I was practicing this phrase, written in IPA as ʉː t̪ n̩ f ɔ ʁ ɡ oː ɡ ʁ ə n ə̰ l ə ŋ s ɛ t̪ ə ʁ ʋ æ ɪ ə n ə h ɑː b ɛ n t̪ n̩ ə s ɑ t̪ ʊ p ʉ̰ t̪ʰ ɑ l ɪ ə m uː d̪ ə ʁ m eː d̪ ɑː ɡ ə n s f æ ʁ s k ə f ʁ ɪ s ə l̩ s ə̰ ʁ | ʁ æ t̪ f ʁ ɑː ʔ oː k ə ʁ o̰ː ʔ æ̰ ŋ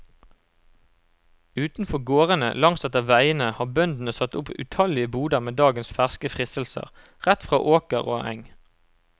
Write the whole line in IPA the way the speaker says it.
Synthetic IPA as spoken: ʉː t̪ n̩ f ɔ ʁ ɡ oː ʁ ə n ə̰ l ɑ ŋ s ɛ t̪ ə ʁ ʋ æ ɪ ə n ə h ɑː b œ n d̪ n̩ ə s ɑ t̪ ʊ p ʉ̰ t̪ʰ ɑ l ɪ ə b uː d̪ ə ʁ m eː d̪ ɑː ɡ ə n s f æ ʁ s k ə f ʁ ɪ s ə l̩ s ə̰ ʁ | ʁ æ t̪ f ʁ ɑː ʔ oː k ə ʁ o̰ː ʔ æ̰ ŋ